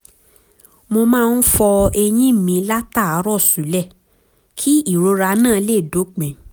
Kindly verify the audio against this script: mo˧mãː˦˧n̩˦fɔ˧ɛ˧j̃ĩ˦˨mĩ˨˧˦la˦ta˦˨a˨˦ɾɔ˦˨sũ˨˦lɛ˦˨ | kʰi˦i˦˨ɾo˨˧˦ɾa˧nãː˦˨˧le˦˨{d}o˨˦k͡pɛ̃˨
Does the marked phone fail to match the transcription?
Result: no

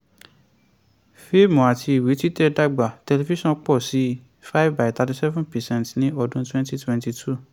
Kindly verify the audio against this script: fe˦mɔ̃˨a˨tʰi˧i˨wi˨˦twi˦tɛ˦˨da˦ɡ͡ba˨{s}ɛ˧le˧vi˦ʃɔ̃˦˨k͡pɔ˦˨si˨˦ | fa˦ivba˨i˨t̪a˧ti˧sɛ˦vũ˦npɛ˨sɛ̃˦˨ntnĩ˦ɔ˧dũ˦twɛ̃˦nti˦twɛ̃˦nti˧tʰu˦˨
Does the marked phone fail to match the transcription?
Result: yes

